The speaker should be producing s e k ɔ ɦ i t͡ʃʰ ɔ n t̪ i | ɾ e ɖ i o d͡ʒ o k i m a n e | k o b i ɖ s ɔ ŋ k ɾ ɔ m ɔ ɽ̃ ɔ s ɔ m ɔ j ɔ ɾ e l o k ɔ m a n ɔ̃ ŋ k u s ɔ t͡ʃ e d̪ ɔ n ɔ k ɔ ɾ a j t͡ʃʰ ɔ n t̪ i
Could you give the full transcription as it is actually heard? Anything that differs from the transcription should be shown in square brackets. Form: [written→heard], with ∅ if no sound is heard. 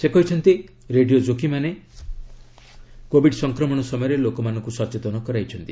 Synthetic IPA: s e k ɔ ɦ i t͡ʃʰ ɔ n t̪ i | ɾ e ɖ i o d͡ʒ o k i m a n e | k o b i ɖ s ɔ ŋ k ɾ ɔ m ɔ ɽ̃ ɔ s ɔ m ɔ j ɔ ɾ e l o k ɔ m a n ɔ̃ ŋ k u s ɔ t͡ʃ e [d̪→t̪] ɔ n ɔ k ɔ ɾ a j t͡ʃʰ ɔ n t̪ i